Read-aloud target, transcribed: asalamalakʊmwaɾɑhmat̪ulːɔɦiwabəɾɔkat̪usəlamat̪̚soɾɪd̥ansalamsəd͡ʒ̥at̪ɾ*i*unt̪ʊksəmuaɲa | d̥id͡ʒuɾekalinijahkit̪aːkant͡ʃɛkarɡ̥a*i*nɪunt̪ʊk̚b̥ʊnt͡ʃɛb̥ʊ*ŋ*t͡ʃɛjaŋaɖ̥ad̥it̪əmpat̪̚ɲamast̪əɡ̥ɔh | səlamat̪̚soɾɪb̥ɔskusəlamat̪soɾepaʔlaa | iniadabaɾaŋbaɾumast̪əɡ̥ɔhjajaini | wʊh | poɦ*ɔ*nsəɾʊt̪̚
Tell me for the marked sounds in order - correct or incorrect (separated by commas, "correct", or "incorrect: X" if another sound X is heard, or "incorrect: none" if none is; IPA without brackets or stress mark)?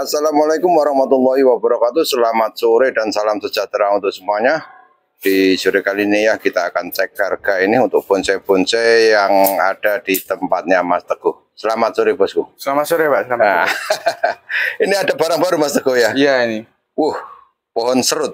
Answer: incorrect: a, correct, incorrect: n, correct